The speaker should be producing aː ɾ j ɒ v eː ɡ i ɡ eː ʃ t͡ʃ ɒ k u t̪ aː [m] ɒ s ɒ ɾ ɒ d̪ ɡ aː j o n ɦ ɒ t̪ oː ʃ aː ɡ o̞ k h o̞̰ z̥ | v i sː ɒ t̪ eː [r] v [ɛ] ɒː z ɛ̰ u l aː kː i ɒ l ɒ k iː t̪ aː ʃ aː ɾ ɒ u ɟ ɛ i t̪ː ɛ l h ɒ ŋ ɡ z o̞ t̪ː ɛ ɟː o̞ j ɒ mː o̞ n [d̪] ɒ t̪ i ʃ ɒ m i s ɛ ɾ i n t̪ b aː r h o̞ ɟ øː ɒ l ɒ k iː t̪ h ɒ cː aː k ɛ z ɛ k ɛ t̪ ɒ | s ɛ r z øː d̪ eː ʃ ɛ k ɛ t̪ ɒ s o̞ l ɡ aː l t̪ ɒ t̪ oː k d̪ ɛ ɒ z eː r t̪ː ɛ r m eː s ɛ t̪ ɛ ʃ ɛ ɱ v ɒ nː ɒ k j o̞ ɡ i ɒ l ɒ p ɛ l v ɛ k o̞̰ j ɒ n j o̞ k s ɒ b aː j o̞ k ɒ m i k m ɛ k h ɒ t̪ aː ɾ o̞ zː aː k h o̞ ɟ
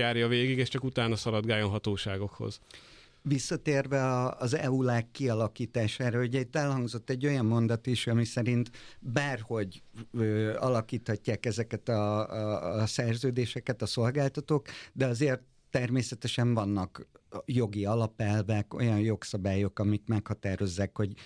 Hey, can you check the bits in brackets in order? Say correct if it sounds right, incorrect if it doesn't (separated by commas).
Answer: incorrect, correct, correct, correct